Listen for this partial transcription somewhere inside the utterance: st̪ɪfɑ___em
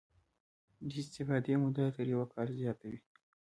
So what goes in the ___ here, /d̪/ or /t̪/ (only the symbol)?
d̪